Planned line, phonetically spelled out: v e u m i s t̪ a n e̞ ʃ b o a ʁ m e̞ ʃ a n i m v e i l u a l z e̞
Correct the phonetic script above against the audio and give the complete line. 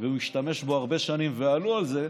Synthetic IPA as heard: v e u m i ʃ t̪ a m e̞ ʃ b o a ʁ b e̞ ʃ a n i m v e a l u a l z e̞